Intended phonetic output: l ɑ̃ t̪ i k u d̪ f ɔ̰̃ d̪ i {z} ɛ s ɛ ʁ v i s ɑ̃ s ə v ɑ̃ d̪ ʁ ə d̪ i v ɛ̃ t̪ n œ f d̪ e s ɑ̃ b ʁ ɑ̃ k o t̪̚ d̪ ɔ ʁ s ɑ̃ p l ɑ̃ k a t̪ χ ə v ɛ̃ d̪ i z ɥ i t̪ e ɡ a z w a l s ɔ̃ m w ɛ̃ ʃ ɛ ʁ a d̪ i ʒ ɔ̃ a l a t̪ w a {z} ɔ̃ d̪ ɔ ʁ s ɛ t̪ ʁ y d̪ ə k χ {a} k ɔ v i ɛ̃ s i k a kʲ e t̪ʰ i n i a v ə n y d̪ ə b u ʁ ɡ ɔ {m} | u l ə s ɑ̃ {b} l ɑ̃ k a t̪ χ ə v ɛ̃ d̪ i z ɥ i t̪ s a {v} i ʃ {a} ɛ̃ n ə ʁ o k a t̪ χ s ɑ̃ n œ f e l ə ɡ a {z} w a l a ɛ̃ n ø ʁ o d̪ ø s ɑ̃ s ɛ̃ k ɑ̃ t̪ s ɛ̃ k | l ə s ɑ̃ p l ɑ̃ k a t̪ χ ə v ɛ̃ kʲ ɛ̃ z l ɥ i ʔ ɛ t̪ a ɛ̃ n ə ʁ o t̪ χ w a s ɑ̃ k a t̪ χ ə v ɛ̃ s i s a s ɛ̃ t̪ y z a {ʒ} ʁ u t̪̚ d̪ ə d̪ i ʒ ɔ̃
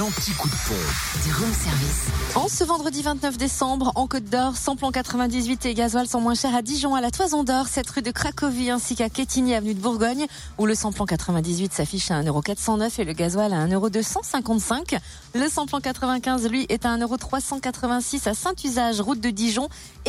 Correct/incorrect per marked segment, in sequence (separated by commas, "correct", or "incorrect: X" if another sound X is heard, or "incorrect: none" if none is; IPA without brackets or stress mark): incorrect: ʁ, correct, correct, incorrect: ɲ, incorrect: p, incorrect: f, correct, correct, correct